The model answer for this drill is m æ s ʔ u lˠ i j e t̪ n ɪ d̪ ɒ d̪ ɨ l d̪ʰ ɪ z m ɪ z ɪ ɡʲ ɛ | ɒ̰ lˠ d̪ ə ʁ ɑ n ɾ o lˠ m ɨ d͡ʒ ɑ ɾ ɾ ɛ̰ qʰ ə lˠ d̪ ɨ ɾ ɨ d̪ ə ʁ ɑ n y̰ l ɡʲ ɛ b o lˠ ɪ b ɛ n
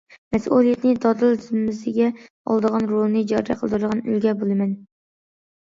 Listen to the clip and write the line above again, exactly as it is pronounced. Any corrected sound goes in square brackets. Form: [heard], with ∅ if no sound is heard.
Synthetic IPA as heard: m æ s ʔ u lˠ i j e t̪ n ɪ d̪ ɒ d̪ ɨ l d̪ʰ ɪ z m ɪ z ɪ ɡʲ ɛ | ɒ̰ lˠ d̪ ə ʁ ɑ n ɾ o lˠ [n] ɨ d͡ʒ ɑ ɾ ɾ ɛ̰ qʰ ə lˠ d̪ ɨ ɾ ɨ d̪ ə ʁ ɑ n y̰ l ɡʲ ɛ b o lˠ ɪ [m] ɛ n